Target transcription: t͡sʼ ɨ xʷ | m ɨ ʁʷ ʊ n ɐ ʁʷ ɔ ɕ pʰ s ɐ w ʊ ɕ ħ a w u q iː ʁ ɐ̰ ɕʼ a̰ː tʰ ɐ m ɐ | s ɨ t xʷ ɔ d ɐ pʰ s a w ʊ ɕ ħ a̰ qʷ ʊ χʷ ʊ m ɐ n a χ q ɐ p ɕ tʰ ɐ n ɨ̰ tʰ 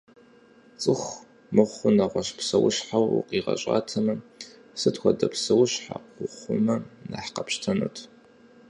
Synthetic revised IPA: t͡sʼ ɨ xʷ | m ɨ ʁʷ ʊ n ɐ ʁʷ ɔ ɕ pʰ s ɐ w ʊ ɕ ħ a w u q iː ʁ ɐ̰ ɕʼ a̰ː tʰ ɐ m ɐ | s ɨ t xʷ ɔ d ɐ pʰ s ɐ w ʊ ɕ ħ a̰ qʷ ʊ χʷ ʊ m ɐ n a ħ q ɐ p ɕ tʰ ɐ n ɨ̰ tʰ